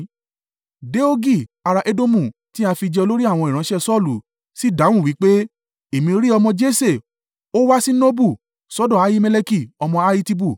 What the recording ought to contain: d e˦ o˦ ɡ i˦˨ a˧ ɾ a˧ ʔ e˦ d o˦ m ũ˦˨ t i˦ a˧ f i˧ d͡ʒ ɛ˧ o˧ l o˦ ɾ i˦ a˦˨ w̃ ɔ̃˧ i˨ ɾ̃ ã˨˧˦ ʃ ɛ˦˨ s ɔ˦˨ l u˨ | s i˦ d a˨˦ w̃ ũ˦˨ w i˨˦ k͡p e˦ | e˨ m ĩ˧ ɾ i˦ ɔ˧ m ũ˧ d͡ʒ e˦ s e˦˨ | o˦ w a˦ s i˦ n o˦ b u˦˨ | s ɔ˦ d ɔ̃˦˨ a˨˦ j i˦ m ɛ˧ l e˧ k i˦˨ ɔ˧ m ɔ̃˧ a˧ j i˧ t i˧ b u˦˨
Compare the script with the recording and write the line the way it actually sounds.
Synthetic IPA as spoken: d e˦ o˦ ɡ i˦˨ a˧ ɾ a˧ ʔ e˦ d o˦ m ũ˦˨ t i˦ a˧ f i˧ d͡ʒ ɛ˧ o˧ l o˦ ɾ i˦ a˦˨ w̃ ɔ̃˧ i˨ ɾ̃ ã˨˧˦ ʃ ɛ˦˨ s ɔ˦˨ l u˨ | s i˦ d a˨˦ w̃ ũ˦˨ w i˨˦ k͡p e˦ | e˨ m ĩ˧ ɾ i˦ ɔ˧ m ɔ̃˧ d͡ʒ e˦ s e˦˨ | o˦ w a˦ s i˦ n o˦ b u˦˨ | s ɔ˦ d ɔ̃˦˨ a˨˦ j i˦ m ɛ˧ l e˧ k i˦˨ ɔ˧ m ɔ̃˧ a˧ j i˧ t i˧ b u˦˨